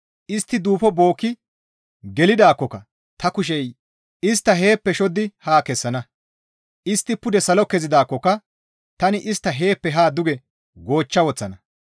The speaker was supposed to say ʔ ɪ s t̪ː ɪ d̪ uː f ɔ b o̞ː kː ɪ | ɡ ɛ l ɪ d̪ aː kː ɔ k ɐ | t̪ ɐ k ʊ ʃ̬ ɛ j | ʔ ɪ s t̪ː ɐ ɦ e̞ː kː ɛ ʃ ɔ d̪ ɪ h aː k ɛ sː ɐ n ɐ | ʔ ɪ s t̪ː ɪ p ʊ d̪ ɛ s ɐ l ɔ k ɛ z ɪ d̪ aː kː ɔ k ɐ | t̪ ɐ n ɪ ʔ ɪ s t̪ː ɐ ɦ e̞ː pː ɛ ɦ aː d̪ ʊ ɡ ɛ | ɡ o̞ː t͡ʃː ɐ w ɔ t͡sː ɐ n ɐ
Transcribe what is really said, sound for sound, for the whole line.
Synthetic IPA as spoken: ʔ ɪ s t̪ː ɪ d̪ uː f ɔ b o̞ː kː ɪ | ɡ ɛ l ɪ d̪ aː kː ɔ k ɐ | t̪ ɐ k ʊ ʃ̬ ɛ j | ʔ ɪ s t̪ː ɐ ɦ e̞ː pː ɛ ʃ ɔ d̪ ɪ h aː k ɛ sː ɐ n ɐ | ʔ ɪ s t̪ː ɪ p ʊ d̪ ɛ s ɐ l ɔ k ɛ z ɪ d̪ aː kː ɔ k ɐ | t̪ ɐ n ɪ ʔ ɪ s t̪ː ɐ ɦ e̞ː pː ɛ ɦ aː d̪ ʊ ɡ ɛ | ɡ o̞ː t͡ʃː ɐ w ɔ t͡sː ɐ n ɐ